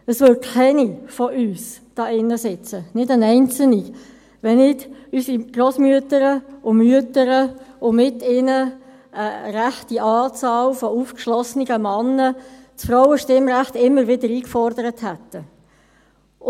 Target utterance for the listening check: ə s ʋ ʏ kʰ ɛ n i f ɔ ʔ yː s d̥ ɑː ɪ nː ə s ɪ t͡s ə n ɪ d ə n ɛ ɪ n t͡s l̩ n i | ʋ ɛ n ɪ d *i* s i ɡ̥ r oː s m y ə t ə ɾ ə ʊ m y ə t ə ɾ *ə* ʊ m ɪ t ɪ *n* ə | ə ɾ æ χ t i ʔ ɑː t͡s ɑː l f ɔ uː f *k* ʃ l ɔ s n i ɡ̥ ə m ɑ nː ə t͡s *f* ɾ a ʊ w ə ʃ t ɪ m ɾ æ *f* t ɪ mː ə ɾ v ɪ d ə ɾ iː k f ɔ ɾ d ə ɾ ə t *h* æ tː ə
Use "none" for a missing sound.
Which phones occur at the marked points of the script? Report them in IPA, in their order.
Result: y, ə, n, k, f, χ, h

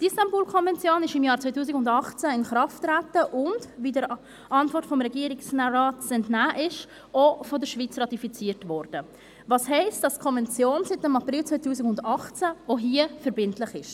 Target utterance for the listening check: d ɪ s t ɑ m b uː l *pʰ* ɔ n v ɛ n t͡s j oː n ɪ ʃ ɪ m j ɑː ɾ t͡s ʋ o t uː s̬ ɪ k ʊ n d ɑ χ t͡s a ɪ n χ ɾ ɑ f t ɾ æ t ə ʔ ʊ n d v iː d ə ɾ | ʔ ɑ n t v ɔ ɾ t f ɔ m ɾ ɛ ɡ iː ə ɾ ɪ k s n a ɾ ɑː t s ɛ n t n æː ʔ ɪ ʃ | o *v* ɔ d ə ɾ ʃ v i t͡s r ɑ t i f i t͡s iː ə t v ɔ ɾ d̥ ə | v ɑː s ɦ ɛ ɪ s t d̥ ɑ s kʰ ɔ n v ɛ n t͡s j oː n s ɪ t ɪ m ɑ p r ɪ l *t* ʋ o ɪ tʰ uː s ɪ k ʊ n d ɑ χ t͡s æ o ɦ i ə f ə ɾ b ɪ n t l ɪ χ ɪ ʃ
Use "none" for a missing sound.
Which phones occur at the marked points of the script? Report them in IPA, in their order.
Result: kʰ, f, t͡s

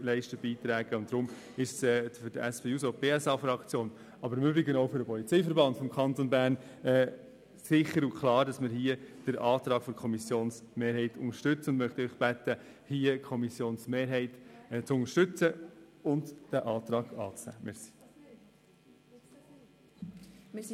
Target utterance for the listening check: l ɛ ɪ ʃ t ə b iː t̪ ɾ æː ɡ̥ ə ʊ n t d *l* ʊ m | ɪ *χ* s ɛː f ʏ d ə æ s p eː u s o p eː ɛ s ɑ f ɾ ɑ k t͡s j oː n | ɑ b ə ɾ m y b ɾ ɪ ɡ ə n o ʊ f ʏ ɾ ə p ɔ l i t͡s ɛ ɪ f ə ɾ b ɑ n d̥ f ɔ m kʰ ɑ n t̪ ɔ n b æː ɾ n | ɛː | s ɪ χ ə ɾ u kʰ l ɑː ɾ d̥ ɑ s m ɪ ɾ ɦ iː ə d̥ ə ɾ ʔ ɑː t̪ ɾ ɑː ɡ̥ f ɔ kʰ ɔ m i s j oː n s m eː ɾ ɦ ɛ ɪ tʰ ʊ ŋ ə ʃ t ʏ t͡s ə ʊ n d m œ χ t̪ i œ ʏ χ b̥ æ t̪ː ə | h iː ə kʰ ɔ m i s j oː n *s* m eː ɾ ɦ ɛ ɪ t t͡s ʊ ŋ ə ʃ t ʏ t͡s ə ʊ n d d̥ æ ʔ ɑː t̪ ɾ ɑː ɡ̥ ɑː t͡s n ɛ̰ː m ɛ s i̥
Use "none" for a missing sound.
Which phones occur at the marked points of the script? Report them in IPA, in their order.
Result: ɾ, ʃ, s

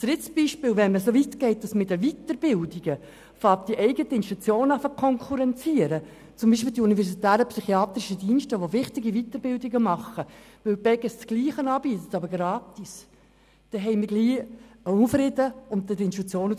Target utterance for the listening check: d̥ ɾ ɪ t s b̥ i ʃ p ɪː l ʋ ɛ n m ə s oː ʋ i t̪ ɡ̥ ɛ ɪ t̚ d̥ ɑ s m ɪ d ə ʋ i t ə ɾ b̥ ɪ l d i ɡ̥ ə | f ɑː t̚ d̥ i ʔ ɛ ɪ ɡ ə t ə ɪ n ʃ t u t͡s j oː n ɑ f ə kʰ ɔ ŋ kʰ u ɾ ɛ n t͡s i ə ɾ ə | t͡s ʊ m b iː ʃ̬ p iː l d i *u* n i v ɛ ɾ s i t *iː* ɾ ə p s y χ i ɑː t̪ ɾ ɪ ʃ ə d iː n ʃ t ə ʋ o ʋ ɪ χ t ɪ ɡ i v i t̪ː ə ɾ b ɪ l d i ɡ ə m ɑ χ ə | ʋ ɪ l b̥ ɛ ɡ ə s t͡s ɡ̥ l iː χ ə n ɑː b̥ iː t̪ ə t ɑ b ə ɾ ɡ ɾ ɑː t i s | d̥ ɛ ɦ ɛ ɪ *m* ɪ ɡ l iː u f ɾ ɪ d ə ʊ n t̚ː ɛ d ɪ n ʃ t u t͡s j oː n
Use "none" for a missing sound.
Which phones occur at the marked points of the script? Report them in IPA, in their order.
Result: u, æː, m

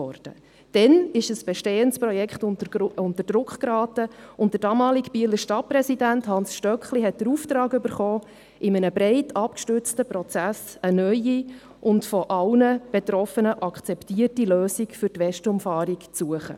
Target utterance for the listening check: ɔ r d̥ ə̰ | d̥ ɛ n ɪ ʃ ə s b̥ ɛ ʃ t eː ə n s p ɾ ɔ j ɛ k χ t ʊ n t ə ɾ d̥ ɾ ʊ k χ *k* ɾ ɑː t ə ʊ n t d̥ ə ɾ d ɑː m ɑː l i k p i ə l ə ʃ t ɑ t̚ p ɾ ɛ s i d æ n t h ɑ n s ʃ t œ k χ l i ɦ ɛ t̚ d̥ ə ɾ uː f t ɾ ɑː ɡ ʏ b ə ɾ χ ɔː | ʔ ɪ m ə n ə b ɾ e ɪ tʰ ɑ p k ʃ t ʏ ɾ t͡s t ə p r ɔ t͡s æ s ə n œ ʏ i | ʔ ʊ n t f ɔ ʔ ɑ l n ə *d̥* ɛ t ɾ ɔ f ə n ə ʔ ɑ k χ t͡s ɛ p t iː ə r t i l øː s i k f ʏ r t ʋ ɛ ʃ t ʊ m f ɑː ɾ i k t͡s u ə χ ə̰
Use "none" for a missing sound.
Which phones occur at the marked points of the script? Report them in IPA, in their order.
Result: k, b̥

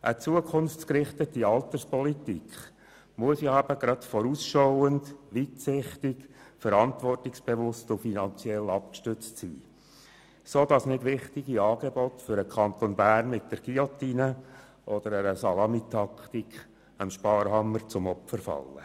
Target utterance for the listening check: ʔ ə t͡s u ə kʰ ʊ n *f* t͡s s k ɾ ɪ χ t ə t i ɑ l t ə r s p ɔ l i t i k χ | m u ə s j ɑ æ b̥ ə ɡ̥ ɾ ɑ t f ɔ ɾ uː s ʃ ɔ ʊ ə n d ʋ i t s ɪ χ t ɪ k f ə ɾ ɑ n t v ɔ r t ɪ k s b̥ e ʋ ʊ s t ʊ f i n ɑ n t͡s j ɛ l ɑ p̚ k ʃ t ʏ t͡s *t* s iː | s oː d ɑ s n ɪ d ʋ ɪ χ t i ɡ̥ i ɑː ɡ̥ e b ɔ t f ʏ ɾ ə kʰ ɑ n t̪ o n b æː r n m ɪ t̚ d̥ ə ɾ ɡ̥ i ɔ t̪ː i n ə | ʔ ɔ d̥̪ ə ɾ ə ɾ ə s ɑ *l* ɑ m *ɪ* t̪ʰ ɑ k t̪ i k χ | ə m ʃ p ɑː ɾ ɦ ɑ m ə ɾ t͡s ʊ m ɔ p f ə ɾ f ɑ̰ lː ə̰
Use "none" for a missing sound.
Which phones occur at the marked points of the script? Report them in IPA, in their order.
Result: f, t, l, i

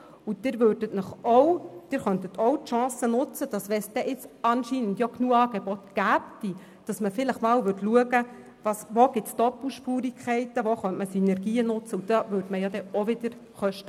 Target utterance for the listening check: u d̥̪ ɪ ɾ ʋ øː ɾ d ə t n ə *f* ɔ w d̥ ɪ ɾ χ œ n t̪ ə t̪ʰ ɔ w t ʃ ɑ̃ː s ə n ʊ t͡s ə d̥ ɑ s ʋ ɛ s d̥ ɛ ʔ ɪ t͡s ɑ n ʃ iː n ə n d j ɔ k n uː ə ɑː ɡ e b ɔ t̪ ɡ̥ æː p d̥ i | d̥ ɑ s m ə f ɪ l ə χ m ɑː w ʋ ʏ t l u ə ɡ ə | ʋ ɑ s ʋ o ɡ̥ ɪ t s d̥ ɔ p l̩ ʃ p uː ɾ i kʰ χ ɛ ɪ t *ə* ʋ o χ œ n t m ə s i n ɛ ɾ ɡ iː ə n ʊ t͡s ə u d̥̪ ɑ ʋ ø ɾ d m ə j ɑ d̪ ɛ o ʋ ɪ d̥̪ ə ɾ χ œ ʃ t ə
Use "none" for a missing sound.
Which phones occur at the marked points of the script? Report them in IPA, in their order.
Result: χ, ə

